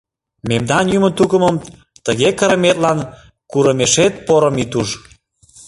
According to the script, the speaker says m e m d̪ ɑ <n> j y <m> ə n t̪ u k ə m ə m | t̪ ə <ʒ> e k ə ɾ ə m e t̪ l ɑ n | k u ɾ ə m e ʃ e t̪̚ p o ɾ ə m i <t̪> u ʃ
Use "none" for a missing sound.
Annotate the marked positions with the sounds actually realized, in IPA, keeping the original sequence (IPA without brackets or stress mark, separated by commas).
n, m, ɣ, t̪